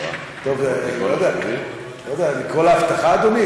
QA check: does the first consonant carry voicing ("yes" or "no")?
no